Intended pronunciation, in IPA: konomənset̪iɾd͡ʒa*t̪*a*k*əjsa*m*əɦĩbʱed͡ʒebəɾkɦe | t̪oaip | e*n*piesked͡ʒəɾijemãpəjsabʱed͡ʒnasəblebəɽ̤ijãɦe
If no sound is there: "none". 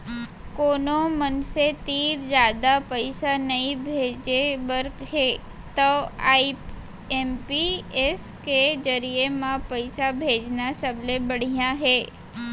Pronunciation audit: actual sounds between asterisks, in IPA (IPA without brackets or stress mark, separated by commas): d̪, p, n, m